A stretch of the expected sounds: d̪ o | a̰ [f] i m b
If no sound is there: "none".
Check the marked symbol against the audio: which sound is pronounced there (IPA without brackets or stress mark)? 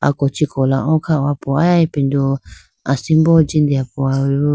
s